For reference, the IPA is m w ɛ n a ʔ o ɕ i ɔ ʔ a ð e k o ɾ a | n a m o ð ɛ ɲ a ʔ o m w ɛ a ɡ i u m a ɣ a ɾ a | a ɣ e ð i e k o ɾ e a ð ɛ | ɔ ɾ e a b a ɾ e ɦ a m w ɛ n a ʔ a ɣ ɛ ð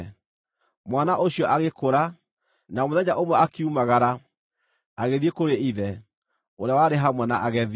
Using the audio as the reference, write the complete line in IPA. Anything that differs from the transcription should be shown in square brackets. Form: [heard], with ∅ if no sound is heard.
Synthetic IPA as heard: m w [a] n a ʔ o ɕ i ɔ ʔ a [ɣ] e k o ɾ a | n a m o ð ɛ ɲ a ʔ o m w ɛ a [k] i u m a ɣ a ɾ a | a ɣ e ð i e k o ɾ e [i] ð ɛ | [o] ɾ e a [w] a ɾ e ɦ a m w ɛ n a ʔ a ɣ ɛ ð